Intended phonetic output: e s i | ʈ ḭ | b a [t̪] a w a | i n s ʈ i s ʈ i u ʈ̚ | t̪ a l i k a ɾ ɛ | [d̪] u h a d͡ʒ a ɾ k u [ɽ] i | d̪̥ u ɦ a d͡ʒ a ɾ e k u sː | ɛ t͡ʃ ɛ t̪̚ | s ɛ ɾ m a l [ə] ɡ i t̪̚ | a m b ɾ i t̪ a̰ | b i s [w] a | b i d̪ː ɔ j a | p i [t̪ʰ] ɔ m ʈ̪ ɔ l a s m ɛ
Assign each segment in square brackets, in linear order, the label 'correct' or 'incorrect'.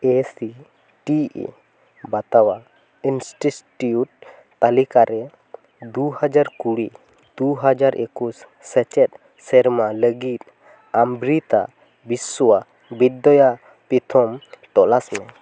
correct, correct, correct, correct, correct, correct

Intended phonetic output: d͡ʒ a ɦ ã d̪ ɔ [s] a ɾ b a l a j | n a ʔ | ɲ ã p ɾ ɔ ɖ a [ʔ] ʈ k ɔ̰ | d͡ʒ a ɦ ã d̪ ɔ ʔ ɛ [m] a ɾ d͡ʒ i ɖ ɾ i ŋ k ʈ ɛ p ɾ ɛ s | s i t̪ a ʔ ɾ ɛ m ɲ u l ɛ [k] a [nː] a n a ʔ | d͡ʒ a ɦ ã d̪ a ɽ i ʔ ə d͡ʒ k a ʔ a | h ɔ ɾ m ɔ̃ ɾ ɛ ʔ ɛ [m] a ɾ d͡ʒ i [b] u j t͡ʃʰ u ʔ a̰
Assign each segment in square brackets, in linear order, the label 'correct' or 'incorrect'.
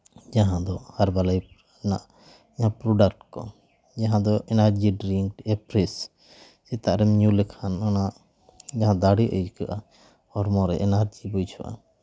incorrect: h, incorrect: k, incorrect: n, incorrect: kʰ, incorrect: n, incorrect: n, correct

